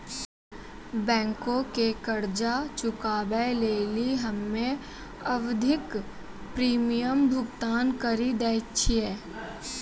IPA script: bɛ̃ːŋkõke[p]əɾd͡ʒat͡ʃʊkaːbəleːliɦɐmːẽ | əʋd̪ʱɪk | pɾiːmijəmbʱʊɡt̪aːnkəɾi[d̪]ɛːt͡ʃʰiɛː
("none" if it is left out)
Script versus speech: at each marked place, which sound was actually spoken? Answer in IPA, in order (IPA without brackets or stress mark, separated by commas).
k, d̪